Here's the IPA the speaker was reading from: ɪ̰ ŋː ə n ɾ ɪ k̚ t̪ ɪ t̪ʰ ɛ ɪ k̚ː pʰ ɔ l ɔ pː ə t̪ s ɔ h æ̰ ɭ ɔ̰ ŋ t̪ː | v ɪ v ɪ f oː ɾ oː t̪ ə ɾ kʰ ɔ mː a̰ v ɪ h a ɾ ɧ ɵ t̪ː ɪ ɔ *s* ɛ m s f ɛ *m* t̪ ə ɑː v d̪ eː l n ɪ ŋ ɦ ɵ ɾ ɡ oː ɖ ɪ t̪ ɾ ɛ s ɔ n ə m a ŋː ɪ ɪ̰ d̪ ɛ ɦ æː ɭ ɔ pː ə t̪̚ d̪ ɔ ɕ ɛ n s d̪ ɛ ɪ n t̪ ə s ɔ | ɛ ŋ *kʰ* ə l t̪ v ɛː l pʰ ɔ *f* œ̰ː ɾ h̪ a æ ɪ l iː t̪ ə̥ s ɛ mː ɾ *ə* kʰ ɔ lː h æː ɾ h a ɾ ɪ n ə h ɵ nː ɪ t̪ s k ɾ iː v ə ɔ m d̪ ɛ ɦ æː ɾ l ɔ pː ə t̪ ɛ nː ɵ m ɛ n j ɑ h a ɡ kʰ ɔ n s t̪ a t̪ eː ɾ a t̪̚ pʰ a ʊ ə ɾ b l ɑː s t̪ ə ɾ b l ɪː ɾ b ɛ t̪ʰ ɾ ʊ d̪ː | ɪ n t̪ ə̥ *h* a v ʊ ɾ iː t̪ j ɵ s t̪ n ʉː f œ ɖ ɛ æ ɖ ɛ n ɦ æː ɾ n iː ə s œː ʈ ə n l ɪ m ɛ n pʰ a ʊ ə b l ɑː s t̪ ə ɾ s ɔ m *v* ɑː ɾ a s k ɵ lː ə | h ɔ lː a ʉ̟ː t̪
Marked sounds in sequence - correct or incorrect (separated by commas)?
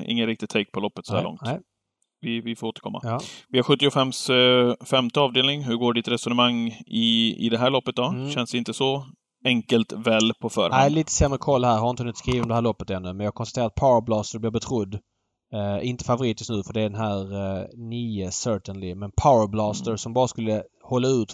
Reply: incorrect, correct, incorrect, correct, correct, incorrect, incorrect